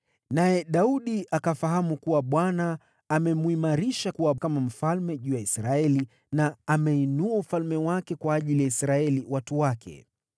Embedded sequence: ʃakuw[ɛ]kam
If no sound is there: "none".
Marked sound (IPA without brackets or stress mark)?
a